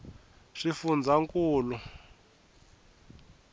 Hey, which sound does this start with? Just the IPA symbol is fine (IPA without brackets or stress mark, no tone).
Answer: ʂ